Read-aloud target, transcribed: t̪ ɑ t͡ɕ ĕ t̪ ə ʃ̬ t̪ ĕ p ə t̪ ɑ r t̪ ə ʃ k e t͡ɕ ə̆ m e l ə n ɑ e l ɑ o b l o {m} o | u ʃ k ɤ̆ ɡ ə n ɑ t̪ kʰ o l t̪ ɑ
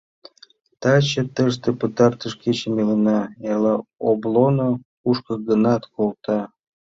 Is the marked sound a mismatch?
yes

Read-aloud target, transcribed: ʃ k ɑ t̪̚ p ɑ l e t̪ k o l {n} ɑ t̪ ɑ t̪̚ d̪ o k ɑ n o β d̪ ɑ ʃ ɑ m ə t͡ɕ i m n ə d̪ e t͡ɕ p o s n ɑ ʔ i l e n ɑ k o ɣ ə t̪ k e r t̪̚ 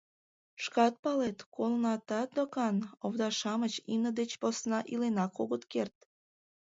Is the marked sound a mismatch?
no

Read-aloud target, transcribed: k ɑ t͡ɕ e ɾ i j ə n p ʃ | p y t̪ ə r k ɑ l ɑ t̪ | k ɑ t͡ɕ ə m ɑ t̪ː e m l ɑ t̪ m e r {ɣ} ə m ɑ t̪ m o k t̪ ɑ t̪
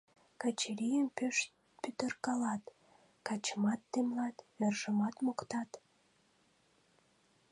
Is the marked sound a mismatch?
yes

